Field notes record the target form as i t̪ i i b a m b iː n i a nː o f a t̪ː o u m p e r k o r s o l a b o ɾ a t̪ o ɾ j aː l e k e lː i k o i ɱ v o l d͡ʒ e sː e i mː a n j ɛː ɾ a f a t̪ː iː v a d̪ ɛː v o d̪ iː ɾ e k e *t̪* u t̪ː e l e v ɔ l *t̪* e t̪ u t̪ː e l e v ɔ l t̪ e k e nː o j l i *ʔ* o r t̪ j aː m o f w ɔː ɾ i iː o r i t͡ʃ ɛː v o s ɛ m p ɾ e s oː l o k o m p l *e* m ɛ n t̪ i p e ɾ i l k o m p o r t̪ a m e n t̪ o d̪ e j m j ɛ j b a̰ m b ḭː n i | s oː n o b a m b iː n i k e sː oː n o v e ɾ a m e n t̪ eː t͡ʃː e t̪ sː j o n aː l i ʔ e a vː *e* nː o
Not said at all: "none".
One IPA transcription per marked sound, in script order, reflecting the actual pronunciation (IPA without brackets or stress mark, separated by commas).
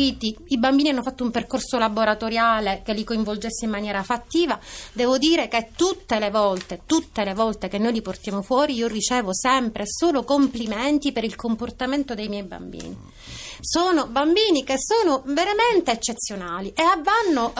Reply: t̪, t̪, p, i, a